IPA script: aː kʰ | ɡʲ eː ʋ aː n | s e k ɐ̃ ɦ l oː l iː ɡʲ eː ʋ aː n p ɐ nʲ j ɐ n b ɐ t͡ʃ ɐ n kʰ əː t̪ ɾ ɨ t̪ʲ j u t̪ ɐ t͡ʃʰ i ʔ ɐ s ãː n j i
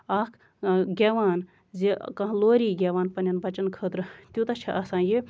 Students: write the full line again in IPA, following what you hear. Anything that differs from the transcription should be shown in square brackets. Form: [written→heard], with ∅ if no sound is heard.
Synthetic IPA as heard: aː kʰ | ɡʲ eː ʋ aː n | [s→z] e k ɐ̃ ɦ l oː [l→ɾ] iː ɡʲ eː ʋ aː n p ɐ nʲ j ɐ n b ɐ t͡ʃ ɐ n kʰ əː t̪ ɾ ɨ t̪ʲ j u t̪ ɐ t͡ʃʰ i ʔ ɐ s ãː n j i

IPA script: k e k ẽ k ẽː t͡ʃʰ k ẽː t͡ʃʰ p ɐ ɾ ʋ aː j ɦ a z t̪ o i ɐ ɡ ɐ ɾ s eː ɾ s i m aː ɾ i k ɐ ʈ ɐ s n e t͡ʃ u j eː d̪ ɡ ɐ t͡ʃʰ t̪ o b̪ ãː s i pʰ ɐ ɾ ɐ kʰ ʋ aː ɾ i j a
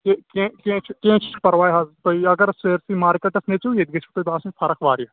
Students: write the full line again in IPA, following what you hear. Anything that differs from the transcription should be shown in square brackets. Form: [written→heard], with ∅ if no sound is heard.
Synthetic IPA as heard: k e k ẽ k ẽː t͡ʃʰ k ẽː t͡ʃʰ p ɐ ɾ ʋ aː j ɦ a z t̪ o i ɐ ɡ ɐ ɾ s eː ɾ s i m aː ɾ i k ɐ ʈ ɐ s n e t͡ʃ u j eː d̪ ɡ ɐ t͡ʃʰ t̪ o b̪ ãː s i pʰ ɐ ɾ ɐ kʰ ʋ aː ɾ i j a

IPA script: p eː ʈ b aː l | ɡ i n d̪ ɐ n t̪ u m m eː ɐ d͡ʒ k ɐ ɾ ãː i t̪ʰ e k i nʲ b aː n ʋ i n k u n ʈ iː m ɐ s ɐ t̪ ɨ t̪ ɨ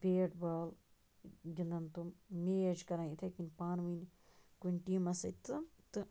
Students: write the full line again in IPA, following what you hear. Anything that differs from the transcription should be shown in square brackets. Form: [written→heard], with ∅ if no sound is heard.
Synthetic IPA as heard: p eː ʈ b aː l | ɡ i n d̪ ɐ n t̪ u m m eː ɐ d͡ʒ k ɐ ɾ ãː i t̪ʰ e k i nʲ [b→p] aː n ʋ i n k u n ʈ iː m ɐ s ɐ t̪ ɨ t̪ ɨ

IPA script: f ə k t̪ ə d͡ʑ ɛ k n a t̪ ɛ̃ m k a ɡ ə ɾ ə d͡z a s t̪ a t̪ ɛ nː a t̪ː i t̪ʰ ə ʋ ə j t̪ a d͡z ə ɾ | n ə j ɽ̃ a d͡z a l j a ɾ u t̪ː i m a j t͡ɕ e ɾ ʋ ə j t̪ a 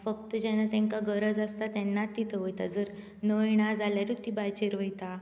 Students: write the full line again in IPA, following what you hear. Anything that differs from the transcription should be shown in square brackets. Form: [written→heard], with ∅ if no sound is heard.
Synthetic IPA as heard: f ə k t̪ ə d͡ʑ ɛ [k→∅] n a t̪ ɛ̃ [m→ŋ] k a ɡ ə ɾ ə d͡z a s t̪ a t̪ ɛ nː a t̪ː i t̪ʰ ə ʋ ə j t̪ a d͡z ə ɾ | n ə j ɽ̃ a d͡z a l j a ɾ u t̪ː i [m→b] a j t͡ɕ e ɾ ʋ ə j t̪ a

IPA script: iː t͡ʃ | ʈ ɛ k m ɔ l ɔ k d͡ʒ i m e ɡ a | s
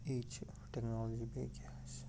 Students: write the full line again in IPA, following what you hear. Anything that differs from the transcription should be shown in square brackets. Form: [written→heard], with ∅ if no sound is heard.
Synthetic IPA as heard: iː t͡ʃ | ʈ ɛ k [m→n] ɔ l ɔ [k→∅] d͡ʒ i [m→b] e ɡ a | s

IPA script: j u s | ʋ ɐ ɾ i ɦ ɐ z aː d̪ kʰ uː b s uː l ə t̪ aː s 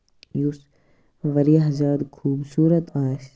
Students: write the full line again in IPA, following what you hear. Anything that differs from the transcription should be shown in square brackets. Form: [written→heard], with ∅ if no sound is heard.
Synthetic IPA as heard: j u s | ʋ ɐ ɾ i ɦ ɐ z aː d̪ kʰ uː b s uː [l→ɾ] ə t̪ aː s

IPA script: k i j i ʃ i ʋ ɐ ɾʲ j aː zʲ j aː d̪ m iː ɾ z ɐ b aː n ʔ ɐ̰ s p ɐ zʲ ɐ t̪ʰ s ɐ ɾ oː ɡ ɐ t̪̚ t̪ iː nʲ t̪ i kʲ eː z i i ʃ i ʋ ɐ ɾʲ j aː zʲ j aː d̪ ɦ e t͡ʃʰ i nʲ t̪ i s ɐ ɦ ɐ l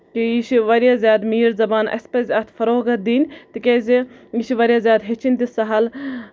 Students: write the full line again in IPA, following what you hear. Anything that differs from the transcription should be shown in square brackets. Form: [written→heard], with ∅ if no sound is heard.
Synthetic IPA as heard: k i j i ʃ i ʋ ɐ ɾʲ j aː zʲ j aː d̪ m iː ɾ z ɐ b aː n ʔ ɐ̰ s p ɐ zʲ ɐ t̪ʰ [s→f] ɐ ɾ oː ɡ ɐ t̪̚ [t̪→d̪] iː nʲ t̪ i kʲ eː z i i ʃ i ʋ ɐ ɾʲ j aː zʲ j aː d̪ ɦ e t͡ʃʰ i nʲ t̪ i s ɐ ɦ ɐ l

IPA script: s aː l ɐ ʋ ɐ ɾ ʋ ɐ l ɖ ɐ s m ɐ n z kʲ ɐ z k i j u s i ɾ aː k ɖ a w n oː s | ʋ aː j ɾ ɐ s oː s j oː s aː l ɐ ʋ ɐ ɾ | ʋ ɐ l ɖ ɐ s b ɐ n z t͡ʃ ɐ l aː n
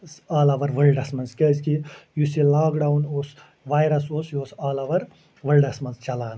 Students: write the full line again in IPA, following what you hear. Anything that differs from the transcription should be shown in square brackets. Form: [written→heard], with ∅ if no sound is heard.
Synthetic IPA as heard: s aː l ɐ ʋ ɐ ɾ ʋ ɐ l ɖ ɐ s m ɐ n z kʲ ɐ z k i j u s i [ɾ→l] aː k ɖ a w n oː s | ʋ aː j ɾ ɐ s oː s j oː s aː l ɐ ʋ ɐ ɾ | ʋ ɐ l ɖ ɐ s [b→m] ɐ n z t͡ʃ ɐ l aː n

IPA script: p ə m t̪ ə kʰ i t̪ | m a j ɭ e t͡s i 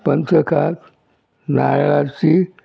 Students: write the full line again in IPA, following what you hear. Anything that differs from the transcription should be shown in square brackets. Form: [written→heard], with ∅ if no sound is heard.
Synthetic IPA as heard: p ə [m→n] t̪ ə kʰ [i→a] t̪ | [m→n] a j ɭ [e→a] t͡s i

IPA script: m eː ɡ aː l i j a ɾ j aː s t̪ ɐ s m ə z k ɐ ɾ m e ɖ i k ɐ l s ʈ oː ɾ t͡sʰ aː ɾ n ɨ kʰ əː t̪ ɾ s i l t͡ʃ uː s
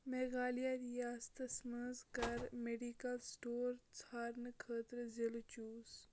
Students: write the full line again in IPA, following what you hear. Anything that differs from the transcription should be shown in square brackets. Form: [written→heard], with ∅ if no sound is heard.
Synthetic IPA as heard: m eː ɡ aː l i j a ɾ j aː s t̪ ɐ s m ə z k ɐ ɾ m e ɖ i k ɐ l s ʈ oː ɾ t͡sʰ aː ɾ n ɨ kʰ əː t̪ ɾ [s→z] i l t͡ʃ uː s

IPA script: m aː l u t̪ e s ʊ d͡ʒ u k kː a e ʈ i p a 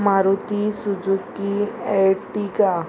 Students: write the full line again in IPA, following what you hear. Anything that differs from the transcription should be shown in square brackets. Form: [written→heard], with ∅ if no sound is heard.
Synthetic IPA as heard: m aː [l→ɾ] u t̪ [e→i] s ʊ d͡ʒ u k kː [a→i] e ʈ i [p→k] a

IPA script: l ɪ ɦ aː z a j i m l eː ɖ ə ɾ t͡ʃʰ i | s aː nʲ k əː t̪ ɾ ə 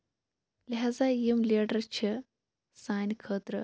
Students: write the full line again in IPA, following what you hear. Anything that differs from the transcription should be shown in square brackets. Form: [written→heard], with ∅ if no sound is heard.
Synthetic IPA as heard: l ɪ ɦ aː z a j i m l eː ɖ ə ɾ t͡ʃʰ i | s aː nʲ [k→kʰ] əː t̪ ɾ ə

